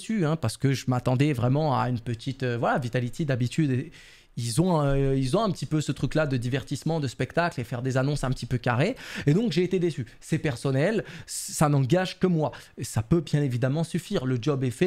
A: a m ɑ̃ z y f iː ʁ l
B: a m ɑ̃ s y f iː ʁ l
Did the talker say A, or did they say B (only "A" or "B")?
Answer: B